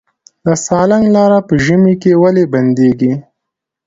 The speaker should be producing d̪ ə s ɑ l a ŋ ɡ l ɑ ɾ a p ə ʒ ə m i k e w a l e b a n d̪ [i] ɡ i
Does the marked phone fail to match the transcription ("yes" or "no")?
yes